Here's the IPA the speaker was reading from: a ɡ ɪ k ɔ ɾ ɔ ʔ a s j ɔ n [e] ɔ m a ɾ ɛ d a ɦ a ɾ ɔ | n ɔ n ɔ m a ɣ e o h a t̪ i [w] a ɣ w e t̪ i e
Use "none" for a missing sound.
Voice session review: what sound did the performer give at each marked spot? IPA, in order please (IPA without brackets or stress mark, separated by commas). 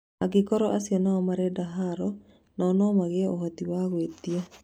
a, w